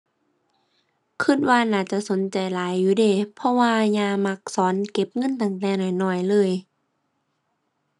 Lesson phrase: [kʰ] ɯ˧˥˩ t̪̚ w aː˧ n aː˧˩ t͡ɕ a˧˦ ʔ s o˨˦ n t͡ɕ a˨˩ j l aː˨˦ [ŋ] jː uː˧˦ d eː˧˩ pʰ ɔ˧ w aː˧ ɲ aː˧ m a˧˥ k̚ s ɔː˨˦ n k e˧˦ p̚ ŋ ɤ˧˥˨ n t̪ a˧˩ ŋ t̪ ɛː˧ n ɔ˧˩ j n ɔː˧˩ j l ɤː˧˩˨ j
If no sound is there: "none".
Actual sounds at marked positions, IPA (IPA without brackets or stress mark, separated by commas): kʰ, none